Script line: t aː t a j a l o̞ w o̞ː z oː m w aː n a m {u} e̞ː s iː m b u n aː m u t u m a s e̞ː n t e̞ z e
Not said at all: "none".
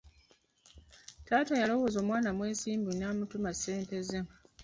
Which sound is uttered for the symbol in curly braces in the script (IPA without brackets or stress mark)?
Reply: w